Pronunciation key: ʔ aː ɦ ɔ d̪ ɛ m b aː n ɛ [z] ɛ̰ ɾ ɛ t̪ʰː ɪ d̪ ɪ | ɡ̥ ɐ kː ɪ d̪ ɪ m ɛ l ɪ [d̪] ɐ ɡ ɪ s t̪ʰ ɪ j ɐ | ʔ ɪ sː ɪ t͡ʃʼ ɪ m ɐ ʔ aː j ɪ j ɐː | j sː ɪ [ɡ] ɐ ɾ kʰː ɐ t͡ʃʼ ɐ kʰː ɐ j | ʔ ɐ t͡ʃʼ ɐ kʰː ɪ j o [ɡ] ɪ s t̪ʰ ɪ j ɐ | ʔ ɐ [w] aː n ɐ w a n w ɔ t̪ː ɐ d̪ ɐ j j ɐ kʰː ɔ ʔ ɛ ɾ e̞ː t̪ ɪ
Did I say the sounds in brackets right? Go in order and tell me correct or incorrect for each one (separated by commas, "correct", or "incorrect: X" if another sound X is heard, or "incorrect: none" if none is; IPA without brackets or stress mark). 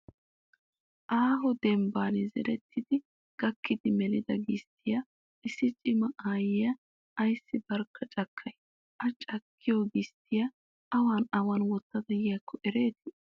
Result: correct, correct, incorrect: b, correct, correct